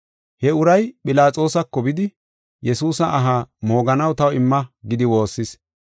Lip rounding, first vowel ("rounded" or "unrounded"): unrounded